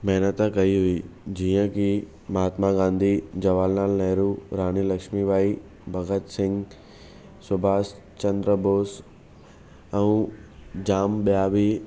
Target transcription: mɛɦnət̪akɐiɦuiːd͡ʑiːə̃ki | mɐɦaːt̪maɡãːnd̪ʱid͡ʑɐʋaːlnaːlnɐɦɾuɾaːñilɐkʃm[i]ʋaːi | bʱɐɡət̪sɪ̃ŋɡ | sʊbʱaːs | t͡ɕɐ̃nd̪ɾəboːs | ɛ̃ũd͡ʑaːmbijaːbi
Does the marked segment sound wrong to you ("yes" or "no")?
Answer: no